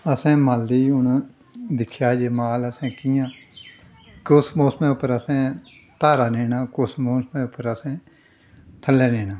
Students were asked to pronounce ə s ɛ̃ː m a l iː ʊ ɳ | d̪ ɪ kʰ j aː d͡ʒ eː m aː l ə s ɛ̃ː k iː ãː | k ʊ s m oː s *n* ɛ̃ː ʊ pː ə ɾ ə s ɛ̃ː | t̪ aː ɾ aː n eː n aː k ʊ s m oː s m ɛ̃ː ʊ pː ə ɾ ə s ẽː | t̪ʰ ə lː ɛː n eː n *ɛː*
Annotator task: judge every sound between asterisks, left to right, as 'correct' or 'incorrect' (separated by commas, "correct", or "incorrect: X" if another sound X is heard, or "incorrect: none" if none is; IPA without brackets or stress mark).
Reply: incorrect: m, incorrect: aː